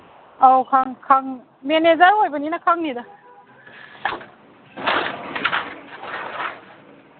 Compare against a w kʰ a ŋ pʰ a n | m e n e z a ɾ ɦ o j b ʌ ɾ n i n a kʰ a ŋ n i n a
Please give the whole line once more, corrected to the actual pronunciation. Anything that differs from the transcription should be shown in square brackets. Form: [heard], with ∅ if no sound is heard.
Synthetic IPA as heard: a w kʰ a ŋ [kʰ] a [ŋ] | m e n e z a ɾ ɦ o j b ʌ [∅] n i n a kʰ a ŋ n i [d] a